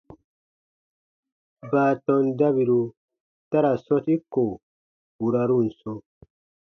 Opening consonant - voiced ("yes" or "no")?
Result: yes